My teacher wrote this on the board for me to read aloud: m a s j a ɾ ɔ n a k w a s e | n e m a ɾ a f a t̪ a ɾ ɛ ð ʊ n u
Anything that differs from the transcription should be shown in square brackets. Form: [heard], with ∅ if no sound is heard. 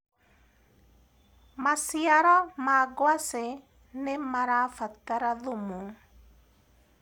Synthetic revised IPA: m a s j a ɾ ɔ [m] a [ɡ] w a s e | n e m a ɾ a f a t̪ a ɾ [a] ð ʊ [m] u